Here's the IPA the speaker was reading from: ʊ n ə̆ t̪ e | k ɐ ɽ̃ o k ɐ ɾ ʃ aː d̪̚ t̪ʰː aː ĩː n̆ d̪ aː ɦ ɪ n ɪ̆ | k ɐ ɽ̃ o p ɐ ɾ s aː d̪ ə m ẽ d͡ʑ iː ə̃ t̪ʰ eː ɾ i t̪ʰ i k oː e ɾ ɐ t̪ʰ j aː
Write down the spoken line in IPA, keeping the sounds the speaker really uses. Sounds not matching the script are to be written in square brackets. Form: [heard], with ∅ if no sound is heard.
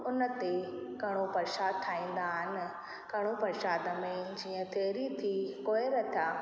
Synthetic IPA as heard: ʊ n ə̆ t̪ e | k ɐ ɽ̃ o [p] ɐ ɾ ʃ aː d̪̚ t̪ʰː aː ĩː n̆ d̪ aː ɦ ɪ n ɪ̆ | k ɐ ɽ̃ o p ɐ ɾ [ʃ] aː d̪ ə m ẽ d͡ʑ iː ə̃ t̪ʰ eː ɾ i t̪ʰ i k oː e ɾ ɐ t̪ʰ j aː